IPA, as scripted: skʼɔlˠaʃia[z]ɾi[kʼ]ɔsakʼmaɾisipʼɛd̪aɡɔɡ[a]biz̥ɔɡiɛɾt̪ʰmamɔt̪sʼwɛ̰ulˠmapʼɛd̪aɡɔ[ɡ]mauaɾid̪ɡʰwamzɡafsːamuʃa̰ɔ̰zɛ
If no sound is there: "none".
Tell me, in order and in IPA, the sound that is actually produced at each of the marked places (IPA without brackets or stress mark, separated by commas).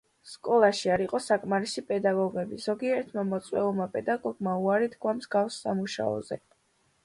none, qʼ, ɛ, ɡ